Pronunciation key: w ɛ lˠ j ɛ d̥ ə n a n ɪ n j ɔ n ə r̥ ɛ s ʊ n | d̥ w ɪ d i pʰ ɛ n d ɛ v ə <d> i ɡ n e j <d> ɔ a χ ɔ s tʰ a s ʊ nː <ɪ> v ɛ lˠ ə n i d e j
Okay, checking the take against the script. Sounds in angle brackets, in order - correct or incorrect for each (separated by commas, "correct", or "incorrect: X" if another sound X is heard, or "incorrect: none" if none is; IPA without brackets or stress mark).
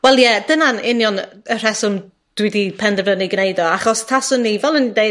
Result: incorrect: n, correct, incorrect: i